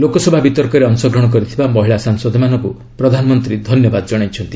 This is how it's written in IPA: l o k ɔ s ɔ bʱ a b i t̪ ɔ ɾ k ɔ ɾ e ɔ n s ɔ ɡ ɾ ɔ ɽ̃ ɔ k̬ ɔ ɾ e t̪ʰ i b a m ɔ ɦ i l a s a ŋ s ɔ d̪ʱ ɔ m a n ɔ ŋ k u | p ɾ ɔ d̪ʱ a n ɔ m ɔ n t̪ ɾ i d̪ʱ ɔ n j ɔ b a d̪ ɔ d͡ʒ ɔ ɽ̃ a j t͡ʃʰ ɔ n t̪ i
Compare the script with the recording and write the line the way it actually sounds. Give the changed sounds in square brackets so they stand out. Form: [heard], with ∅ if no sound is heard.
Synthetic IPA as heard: l o k ɔ s ɔ bʱ a b i t̪ ɔ ɾ k ɔ ɾ e ɔ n s ɔ ɡ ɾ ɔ ɽ̃ ɔ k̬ ɔ ɾ [i] t̪ʰ i b a m ɔ ɦ i [ɭ] a s a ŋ s ɔ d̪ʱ ɔ m a n ɔ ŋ k u | p ɾ ɔ d̪ʱ a n ɔ m ɔ n t̪ ɾ i d̪ʱ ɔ n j ɔ b a d̪ ɔ d͡ʒ ɔ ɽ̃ a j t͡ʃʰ ɔ n t̪ i